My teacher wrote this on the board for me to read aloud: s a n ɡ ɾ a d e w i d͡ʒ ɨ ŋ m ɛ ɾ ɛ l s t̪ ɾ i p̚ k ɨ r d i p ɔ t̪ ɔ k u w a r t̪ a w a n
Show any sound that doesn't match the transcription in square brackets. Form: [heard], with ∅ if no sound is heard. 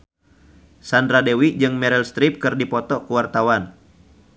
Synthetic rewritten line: s a n [d] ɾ a d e w i d͡ʒ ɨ ŋ m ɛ ɾ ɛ l s t̪ ɾ i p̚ k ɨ r d i p ɔ t̪ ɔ k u w a r t̪ a w a n